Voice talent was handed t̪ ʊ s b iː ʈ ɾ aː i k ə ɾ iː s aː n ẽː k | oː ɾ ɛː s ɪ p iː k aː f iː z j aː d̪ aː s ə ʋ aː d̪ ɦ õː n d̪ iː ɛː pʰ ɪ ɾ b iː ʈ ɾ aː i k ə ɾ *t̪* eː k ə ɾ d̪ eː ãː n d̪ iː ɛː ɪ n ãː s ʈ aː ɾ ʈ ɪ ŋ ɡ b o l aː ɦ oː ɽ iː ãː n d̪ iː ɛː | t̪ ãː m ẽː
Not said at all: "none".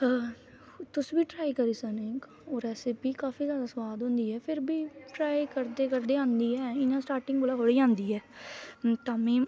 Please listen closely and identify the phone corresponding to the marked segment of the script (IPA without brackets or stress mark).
d̪